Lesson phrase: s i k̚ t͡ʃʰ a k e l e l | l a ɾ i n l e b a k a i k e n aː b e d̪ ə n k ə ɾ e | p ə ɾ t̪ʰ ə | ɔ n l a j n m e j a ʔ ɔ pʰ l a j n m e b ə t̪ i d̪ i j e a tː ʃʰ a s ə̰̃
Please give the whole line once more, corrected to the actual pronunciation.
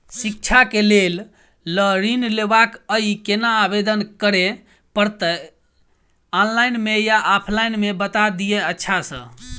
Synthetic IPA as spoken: s i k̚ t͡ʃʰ a k e l e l | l ə ɾ i n l e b a k ə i k e n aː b e d̪ ə n k ə ɾ e | p ə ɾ t̪ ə | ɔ n l a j n m e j a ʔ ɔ pʰ l a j n m e b ə t̪ a d̪ i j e ə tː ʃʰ a s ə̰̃